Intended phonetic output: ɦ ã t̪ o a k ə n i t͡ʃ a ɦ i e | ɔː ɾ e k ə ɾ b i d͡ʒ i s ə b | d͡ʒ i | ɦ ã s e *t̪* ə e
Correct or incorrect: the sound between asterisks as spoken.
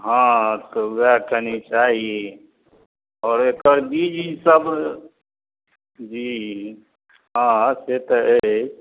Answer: correct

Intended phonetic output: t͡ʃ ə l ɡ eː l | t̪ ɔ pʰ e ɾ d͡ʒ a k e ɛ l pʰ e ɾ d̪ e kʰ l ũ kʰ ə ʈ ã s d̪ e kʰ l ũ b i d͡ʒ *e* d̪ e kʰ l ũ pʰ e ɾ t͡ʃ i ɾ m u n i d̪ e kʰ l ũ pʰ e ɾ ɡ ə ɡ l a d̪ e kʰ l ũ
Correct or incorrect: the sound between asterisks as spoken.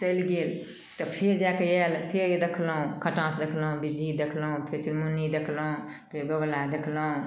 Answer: incorrect: i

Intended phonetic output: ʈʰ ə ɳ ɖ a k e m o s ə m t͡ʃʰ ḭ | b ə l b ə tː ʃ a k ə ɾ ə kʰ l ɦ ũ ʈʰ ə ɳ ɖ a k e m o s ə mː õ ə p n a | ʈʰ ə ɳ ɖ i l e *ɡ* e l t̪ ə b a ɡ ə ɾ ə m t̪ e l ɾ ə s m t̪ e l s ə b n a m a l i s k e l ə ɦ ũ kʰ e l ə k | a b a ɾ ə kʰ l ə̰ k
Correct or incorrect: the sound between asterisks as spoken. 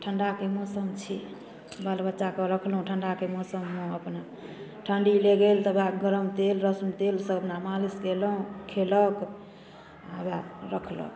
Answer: correct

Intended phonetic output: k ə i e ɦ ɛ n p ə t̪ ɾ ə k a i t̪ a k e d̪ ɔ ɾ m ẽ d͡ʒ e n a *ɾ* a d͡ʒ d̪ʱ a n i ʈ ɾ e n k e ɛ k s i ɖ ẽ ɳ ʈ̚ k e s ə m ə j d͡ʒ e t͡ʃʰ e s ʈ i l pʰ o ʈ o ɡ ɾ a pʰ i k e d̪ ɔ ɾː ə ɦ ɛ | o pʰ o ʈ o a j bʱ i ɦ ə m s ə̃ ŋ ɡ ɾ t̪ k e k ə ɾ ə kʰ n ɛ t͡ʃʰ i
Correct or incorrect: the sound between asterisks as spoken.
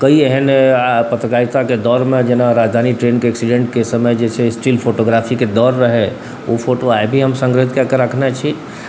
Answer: correct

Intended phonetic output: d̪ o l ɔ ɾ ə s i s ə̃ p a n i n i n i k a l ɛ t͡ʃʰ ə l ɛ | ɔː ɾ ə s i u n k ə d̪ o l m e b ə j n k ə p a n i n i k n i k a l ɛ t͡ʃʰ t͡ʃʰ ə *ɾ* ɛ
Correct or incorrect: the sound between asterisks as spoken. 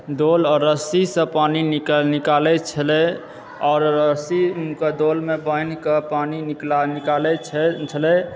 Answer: incorrect: l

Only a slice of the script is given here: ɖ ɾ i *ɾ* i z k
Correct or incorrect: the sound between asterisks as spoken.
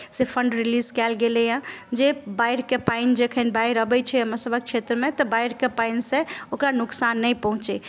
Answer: incorrect: l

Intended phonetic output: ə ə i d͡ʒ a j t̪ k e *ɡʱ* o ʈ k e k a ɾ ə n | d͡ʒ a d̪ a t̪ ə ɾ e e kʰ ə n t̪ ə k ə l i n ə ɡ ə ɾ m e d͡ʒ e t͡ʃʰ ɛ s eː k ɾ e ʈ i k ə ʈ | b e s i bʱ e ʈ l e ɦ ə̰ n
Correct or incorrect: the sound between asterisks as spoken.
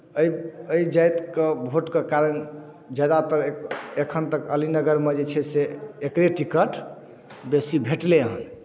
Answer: incorrect: bʱ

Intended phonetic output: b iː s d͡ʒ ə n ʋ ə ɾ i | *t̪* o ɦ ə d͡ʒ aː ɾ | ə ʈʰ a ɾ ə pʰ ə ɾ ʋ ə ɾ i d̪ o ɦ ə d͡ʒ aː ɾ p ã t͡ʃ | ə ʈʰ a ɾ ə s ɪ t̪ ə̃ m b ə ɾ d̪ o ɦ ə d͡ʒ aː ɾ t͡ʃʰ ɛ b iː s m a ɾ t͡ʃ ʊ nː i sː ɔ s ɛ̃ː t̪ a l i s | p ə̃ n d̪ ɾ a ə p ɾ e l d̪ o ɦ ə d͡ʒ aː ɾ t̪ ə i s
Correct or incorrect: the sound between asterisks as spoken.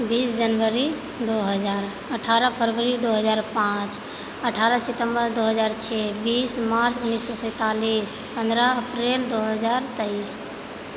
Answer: incorrect: d̪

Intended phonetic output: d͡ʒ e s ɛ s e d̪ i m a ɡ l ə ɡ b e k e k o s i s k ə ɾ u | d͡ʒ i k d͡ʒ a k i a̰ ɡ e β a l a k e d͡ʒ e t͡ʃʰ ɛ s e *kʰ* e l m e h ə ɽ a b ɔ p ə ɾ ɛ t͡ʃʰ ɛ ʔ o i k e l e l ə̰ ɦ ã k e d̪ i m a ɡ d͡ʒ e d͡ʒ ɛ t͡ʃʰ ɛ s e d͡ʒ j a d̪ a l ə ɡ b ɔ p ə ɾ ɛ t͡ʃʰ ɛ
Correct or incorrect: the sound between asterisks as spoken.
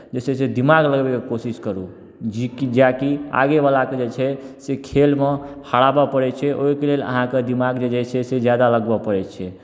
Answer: correct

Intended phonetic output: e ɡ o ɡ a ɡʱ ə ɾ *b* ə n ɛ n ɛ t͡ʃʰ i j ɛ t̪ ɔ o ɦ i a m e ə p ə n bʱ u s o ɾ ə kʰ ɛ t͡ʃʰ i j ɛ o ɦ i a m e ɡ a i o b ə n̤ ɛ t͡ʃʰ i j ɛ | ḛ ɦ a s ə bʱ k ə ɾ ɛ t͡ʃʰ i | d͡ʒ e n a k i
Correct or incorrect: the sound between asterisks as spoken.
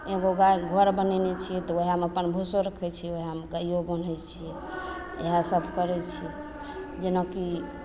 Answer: correct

